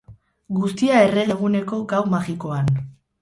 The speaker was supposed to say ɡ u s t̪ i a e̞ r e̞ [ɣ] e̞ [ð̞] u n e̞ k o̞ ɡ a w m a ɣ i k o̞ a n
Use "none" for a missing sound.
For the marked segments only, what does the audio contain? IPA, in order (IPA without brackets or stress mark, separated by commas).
ɣ, ɣ̞